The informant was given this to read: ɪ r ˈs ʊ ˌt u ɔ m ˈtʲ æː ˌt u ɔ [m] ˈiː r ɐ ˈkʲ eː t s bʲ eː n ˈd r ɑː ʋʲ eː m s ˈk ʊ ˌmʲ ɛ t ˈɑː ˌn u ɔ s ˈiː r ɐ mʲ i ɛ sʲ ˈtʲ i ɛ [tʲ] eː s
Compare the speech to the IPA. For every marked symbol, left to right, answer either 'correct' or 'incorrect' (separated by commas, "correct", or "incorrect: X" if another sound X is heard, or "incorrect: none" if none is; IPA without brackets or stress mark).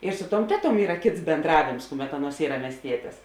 correct, correct